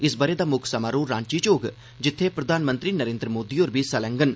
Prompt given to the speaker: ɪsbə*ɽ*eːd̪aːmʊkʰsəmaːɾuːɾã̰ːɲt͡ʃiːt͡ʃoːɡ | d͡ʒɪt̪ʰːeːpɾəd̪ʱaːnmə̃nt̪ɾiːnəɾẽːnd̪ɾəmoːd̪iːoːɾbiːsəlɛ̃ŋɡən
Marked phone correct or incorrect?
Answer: incorrect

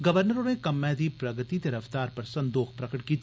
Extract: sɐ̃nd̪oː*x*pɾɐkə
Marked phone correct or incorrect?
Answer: correct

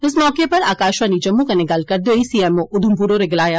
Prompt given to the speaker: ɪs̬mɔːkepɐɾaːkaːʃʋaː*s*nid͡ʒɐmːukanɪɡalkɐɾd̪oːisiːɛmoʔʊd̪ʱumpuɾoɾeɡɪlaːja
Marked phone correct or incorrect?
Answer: incorrect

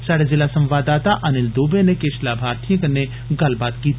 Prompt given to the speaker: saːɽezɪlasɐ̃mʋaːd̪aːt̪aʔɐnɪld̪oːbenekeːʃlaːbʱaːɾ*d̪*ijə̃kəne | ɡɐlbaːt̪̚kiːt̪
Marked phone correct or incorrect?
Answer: incorrect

